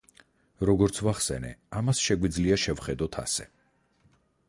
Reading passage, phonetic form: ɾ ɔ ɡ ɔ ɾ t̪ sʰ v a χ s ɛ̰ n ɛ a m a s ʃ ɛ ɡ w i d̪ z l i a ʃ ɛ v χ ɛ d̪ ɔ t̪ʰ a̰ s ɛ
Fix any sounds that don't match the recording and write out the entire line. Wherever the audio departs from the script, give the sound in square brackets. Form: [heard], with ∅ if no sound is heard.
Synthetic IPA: ɾ ɔ ɡ ɔ ɾ t̪ sʰ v a χ s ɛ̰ n ɛ a m a s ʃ ɛ ɡ w i d̪ z l i a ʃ ɛ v χ ɛ d̪ ɔ t̪ʰ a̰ s ɛ

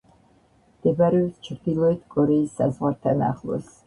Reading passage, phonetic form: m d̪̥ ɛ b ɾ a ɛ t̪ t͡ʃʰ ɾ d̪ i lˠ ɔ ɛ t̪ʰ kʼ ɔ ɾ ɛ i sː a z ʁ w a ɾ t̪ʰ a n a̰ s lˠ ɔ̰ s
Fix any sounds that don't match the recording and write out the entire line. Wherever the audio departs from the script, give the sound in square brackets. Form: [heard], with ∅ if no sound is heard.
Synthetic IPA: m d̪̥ ɛ b ɾ [ɛ] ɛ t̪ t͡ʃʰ ɾ d̪ i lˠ ɔ ɛ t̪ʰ kʼ ɔ ɾ ɛ i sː a z ʁ w a ɾ t̪ʰ a n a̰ [χ] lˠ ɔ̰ s

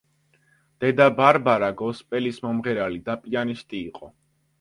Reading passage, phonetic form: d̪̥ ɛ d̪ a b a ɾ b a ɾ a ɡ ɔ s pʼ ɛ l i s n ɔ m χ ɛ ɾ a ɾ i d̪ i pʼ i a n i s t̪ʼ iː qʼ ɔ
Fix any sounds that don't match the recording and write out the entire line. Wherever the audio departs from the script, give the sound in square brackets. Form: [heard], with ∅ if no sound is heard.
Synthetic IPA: d̪̥ ɛ d̪ a b a ɾ b a ɾ a ɡ ɔ s pʼ ɛ l i s [m] ɔ m [ʁ] ɛ ɾ a [l] i d̪ [a] pʼ i a n i s t̪ʼ iː qʼ ɔ

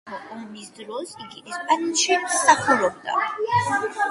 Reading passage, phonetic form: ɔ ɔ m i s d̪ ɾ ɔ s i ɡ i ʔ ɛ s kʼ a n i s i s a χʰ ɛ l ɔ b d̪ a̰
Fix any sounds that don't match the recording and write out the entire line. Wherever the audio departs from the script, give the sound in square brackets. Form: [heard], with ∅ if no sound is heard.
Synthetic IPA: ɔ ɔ m i s d̪ ɾ ɔ s i ɡ i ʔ ɛ s [pʼ] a n i [ʃ] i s a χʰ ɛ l ɔ b d̪ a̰

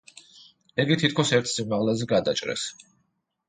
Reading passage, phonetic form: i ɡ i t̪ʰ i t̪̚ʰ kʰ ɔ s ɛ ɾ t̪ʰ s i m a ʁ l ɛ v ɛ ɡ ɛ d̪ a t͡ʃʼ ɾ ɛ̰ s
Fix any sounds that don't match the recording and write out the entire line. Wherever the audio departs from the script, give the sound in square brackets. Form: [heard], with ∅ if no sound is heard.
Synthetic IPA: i ɡ i t̪ʰ i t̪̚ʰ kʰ ɔ s ɛ ɾ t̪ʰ s i m a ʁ l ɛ [z] ɛ ɡ [a] d̪ a t͡ʃʼ ɾ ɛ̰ s

